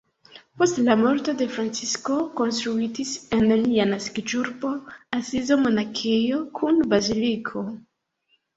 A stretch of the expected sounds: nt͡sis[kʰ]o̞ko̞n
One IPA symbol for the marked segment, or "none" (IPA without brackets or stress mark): k